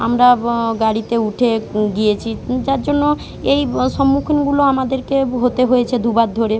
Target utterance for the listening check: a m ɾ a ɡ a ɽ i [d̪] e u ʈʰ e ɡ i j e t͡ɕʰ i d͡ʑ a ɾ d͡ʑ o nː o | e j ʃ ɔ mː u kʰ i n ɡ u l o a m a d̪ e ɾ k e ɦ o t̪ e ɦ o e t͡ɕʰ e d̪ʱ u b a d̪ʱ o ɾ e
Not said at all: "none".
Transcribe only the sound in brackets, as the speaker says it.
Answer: t̪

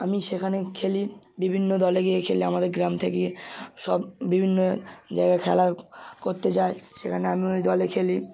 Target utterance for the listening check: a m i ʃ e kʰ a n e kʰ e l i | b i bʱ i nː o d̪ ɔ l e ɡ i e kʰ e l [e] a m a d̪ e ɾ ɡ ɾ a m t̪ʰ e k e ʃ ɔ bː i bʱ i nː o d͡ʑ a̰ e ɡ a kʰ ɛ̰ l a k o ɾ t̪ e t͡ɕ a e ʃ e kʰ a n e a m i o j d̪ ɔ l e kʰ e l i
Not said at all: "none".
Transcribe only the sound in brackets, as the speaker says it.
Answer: i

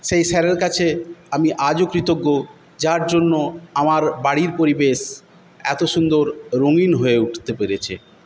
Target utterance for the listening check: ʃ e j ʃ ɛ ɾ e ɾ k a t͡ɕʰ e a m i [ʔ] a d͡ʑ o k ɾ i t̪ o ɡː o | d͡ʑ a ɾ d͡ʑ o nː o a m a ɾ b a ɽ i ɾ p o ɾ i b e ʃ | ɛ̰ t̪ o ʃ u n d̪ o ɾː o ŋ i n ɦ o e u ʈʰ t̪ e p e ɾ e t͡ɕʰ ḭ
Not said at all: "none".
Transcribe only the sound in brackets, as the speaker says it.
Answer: ʔ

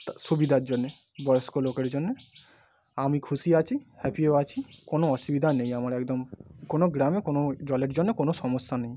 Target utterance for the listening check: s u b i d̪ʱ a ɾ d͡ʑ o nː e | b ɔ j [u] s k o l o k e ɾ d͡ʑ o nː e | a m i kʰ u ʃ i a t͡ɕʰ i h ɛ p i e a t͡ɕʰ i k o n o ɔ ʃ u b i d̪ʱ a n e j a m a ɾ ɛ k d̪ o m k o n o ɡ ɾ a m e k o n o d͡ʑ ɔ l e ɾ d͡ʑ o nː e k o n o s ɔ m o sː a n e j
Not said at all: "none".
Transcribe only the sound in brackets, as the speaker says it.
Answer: o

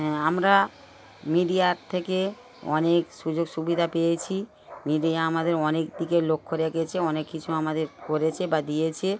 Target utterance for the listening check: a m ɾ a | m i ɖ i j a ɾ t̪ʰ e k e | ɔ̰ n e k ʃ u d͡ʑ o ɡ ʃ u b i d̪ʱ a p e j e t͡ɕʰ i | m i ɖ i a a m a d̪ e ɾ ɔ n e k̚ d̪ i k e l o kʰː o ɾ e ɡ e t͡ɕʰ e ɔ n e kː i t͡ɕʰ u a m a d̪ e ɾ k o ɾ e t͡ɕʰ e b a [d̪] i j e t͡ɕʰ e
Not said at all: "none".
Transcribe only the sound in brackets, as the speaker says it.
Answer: d̪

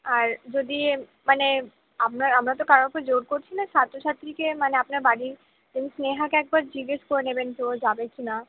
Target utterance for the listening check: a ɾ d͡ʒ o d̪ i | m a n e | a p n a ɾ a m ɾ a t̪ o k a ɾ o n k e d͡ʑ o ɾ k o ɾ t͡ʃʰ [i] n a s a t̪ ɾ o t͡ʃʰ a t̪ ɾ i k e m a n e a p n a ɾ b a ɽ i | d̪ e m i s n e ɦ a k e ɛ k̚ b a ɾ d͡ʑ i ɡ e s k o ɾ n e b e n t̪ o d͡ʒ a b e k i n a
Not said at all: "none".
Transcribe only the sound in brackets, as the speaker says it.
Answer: i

